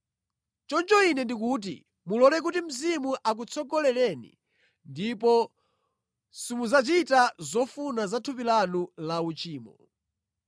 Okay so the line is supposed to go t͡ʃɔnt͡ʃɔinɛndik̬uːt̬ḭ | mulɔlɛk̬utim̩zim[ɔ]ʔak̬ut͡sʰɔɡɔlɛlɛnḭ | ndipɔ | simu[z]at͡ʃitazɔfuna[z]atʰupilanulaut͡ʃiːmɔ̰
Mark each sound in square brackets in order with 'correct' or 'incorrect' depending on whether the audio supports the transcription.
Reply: incorrect: u, correct, correct

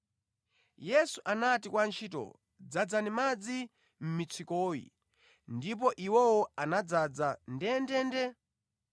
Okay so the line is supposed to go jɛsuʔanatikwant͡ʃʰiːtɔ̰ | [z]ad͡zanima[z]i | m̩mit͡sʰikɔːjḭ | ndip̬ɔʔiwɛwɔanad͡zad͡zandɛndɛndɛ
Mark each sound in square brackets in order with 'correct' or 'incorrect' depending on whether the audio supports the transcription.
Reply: incorrect: d͡z, incorrect: d͡z

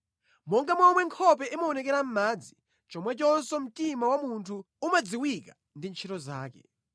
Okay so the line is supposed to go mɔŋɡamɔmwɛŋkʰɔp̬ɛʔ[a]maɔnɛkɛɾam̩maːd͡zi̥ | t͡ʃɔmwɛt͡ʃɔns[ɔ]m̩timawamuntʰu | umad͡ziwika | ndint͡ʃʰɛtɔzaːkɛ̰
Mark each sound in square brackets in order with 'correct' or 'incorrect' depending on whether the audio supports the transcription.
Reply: incorrect: i, correct

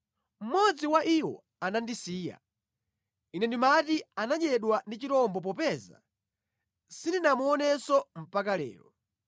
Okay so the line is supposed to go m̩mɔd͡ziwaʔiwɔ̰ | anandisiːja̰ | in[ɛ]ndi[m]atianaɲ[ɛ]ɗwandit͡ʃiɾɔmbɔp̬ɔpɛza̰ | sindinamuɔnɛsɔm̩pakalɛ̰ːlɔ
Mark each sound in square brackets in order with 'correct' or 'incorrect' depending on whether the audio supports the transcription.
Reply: correct, correct, correct

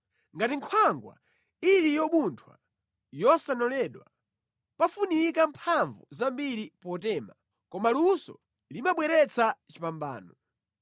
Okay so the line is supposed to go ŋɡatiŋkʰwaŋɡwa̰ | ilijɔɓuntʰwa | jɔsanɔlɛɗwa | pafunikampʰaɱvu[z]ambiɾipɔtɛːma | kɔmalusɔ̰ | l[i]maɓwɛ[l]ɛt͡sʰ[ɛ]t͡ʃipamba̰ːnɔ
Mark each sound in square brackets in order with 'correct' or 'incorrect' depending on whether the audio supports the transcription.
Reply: correct, correct, incorrect: ɾ, incorrect: a

